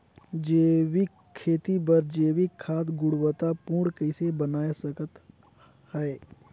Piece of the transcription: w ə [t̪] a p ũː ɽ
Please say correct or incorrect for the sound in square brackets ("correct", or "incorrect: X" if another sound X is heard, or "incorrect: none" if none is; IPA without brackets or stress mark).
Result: correct